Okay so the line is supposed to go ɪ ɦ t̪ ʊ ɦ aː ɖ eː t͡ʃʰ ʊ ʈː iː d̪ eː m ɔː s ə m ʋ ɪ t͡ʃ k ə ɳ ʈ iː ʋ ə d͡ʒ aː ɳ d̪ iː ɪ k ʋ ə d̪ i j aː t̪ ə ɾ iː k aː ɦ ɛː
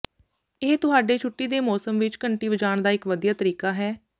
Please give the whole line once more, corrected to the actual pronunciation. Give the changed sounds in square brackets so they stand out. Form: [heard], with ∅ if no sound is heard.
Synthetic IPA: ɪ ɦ t̪ ʊ ɦ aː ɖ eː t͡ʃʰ ʊ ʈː iː d̪ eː m ɔː s ə m ʋ ɪ t͡ʃ k ə ɳ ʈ iː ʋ ə d͡ʒ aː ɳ d̪ [aː] ɪ k ʋ ə d̪ i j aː t̪ ə ɾ iː k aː ɦ ɛː